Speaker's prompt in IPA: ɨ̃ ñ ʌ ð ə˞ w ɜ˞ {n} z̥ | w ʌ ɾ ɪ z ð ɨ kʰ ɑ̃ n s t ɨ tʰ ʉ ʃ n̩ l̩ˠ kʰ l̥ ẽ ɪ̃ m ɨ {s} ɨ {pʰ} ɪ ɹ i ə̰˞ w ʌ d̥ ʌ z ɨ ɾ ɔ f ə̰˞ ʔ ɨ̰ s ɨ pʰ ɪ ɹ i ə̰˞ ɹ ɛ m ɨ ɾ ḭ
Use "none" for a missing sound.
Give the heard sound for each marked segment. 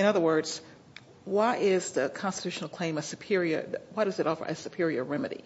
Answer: d, s, pʰ

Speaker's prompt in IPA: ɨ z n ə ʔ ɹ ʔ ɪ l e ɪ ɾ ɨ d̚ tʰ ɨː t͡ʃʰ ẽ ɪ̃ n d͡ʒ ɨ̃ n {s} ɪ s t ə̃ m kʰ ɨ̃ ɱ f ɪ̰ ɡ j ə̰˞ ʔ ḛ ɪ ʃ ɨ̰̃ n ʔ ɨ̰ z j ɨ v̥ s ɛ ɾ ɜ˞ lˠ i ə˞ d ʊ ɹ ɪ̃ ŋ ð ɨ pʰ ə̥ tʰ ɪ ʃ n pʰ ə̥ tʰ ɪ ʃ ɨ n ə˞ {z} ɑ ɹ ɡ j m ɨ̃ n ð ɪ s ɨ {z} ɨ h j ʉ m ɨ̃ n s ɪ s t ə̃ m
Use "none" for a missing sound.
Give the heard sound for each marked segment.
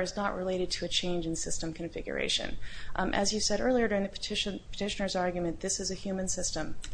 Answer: s, z, z

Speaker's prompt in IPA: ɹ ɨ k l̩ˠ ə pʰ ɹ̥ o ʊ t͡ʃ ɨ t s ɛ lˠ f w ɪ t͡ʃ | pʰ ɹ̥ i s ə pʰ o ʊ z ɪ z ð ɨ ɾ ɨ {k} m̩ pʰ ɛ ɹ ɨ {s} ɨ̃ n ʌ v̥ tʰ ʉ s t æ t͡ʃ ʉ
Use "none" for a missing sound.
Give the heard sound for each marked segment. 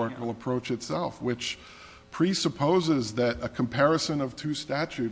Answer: kʰ, s

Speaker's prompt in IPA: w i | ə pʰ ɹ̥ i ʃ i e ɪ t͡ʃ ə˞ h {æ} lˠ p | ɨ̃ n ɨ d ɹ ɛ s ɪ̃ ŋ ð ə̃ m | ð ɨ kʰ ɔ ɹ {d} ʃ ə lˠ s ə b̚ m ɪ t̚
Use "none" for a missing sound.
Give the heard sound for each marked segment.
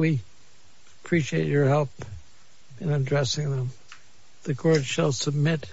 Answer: ɛ, d

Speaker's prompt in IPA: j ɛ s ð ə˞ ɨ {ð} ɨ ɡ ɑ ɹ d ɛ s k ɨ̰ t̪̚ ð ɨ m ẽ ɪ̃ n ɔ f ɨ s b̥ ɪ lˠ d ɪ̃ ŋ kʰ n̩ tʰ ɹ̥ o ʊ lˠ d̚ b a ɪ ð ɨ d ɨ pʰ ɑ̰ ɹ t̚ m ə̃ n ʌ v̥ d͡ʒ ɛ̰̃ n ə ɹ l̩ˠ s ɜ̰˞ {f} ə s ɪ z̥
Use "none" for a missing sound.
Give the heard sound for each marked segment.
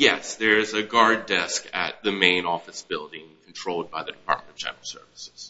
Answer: z, v

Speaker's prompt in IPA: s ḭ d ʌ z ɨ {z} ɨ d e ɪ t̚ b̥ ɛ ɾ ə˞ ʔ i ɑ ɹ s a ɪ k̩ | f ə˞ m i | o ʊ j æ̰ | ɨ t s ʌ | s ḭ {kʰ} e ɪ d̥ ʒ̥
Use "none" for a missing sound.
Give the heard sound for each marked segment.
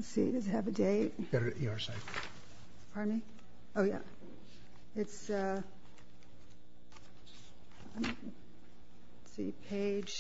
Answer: v, pʰ

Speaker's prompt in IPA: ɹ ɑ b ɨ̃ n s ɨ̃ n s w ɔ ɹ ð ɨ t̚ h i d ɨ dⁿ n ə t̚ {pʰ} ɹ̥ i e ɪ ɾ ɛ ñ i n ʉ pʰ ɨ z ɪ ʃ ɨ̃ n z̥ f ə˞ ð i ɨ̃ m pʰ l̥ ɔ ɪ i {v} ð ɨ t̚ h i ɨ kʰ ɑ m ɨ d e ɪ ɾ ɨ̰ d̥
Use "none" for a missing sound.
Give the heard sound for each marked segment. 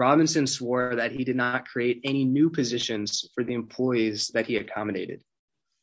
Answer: kʰ, z

